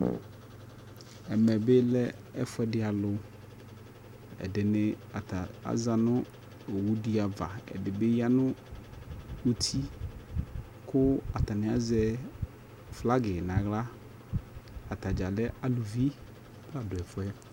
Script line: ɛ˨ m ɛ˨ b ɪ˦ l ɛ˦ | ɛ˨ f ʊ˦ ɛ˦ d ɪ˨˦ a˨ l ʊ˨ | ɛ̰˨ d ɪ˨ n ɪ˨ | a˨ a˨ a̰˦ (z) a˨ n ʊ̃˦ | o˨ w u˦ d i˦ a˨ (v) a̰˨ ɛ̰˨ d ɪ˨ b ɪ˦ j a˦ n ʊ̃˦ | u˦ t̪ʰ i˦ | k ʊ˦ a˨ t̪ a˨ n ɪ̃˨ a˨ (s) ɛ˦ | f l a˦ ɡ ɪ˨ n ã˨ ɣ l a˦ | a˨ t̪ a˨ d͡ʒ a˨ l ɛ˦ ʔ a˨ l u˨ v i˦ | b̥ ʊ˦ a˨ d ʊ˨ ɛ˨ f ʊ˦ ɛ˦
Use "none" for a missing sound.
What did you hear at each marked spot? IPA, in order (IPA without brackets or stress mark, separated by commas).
z, v, z